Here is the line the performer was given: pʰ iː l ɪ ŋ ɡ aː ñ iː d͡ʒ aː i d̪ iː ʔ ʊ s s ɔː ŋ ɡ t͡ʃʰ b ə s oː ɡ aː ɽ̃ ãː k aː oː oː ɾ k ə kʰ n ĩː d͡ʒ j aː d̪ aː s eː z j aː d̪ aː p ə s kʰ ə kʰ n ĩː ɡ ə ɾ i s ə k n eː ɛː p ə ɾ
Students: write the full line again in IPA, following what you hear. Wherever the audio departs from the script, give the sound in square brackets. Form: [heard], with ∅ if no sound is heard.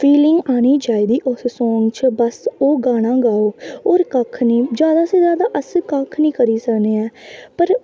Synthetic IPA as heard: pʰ iː l ɪ ŋ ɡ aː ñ iː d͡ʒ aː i d̪ iː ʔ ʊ s s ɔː ŋ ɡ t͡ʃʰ b ə s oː ɡ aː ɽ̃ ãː [ɡ] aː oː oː ɾ k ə kʰ n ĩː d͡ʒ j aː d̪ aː s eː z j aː d̪ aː [ʔ] ə s [k] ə kʰ n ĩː [k] ə ɾ [iː] s ə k n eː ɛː p ə ɾ